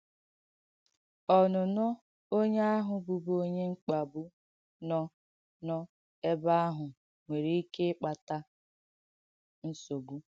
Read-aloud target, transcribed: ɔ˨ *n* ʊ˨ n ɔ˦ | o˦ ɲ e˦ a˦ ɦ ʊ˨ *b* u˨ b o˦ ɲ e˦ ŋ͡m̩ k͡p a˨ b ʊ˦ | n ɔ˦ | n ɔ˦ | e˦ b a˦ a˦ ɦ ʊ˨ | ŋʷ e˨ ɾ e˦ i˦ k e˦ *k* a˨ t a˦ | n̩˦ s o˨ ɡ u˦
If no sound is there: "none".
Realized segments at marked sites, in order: n, b, k͡p

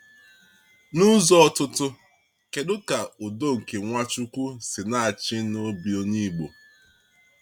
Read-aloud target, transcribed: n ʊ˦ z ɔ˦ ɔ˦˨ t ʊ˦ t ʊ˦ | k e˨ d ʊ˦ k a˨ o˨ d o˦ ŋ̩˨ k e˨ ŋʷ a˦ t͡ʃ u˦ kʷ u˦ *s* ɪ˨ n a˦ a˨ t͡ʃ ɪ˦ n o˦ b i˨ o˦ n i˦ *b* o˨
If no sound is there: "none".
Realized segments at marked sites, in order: s, ɡ͡b

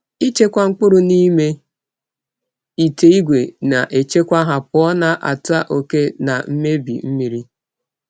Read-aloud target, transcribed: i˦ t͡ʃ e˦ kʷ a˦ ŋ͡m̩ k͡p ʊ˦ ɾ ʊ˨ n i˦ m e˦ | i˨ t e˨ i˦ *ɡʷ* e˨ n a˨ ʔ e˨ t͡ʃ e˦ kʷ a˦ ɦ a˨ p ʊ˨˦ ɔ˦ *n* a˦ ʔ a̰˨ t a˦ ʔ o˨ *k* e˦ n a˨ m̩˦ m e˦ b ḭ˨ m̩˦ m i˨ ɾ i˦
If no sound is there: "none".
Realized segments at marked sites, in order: ɡʷ, n, k

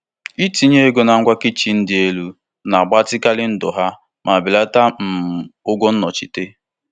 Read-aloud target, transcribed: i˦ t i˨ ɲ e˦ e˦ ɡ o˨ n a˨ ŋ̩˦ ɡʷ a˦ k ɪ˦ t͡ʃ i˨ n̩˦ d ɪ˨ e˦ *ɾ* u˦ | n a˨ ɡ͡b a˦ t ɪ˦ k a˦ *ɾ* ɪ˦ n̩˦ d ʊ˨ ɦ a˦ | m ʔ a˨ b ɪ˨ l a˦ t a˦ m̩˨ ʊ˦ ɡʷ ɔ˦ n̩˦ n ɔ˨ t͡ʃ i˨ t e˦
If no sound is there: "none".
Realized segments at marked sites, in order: l, l

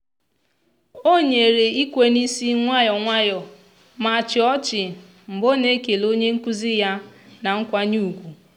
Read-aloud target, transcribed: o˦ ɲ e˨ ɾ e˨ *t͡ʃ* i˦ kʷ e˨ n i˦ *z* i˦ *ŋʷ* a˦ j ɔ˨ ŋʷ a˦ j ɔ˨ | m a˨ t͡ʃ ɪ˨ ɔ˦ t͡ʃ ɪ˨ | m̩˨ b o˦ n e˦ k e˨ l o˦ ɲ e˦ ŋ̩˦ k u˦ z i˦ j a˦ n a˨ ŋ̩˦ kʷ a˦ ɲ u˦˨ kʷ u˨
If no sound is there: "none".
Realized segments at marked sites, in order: none, s, ŋʷ

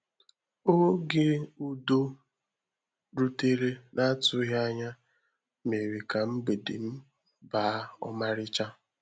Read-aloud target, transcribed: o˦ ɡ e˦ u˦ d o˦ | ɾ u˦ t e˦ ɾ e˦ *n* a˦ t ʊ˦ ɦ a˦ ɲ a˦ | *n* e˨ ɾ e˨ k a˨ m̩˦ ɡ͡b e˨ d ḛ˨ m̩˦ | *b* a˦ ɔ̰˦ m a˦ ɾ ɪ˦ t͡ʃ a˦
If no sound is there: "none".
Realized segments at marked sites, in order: n, m, b

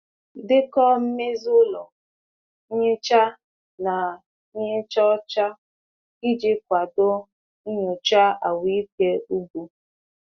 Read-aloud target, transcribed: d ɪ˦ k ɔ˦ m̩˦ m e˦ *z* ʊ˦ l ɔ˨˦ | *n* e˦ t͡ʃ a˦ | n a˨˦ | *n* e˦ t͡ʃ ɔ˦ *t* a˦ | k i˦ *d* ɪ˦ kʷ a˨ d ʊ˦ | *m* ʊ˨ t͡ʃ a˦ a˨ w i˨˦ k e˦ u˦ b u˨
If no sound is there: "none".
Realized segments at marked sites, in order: z, ɲ, ɲ, t͡ʃ, d͡ʒ, ɲ

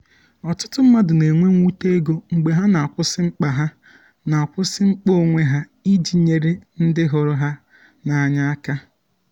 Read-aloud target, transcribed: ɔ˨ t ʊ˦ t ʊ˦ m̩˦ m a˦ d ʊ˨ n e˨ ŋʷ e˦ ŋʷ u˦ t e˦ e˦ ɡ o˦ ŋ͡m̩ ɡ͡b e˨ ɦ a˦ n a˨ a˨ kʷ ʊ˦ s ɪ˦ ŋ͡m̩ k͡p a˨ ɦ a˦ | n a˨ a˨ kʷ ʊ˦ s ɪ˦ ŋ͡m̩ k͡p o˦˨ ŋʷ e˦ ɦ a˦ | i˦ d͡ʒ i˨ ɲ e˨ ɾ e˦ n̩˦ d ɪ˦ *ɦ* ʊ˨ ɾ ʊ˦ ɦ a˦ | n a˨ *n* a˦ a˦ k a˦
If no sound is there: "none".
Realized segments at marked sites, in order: ɦ, ɲ

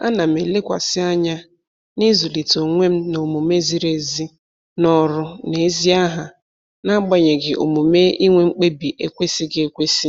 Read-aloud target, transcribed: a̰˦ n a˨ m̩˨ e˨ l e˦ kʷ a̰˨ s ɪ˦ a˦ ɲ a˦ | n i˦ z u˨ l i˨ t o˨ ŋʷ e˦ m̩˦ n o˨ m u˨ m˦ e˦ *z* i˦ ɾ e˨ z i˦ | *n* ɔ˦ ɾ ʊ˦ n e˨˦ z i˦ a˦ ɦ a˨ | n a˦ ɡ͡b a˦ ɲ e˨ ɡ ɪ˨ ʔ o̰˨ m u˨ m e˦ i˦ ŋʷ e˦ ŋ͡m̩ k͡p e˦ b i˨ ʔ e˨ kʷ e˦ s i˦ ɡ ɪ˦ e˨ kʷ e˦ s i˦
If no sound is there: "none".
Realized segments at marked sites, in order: z, n

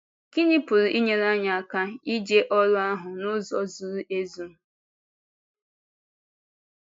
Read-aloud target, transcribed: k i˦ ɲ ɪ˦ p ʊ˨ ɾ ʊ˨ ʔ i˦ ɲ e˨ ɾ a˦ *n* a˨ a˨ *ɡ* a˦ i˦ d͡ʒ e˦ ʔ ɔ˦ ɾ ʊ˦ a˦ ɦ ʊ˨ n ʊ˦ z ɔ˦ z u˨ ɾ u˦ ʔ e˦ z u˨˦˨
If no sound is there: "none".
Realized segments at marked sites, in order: ɲ, k

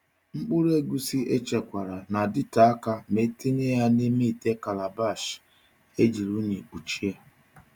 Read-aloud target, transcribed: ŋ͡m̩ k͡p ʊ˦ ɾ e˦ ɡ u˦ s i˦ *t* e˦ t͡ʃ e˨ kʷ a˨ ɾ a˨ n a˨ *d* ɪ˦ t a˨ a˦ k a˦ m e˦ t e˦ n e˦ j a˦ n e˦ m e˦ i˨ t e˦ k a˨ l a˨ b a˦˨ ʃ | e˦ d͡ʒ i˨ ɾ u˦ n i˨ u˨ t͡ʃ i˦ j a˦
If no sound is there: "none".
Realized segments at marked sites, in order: none, d

